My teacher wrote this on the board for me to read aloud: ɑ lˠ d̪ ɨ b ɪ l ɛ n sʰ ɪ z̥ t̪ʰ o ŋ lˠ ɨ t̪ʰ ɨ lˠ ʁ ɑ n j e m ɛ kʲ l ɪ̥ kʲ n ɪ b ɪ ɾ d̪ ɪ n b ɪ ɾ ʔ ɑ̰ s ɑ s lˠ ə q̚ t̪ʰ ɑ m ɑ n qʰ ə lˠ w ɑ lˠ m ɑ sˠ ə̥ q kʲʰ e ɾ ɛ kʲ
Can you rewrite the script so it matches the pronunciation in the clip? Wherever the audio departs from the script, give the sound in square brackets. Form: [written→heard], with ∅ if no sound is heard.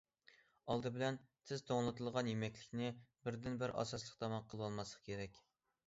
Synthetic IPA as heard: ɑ lˠ d̪ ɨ b ɪ l ɛ n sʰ ɪ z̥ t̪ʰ o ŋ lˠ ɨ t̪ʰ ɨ lˠ ʁ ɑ n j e m ɛ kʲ l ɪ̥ kʲ n ɪ b ɪ ɾ d̪ ɪ n b ɪ ɾ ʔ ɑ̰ s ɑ s lˠ ə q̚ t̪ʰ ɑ m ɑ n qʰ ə lˠ w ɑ lˠ m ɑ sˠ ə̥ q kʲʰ e ɾ ɛ kʲ